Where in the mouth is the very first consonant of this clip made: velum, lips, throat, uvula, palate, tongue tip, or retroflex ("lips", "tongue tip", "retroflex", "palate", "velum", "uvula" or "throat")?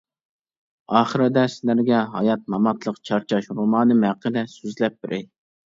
uvula